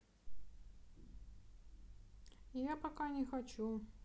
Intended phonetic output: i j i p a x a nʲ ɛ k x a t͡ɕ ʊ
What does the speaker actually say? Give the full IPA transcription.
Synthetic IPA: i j a p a k a nʲ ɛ x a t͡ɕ u